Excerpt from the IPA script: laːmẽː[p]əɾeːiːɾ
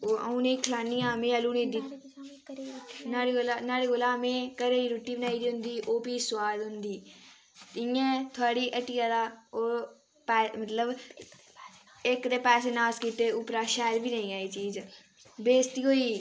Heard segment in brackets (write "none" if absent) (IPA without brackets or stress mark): k